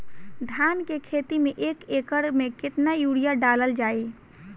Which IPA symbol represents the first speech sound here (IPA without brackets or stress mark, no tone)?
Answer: d̪ʱ